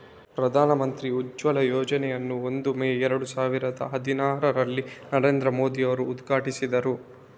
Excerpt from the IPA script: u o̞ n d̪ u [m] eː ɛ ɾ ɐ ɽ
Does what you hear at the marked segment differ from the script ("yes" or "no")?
no